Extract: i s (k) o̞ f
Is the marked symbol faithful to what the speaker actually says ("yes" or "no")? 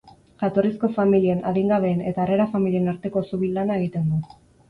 yes